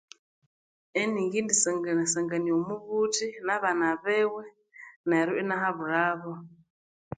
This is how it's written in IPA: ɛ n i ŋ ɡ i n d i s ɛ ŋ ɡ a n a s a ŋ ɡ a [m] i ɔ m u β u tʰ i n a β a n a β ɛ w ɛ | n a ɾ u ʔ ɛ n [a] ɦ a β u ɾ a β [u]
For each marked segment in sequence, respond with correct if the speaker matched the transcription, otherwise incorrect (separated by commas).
incorrect, correct, incorrect